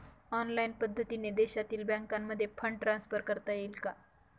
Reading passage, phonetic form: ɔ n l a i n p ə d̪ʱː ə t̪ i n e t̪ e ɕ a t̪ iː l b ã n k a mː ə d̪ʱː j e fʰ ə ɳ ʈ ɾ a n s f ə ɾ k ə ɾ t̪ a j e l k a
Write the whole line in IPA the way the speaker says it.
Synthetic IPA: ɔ n l a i n p ə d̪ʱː ə t̪ i n e d̪ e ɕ a t̪ iː l b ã ŋ k a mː ə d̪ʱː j e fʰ ə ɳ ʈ ɾ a n s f ə ɾ k ə ɾ t̪ a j e l k a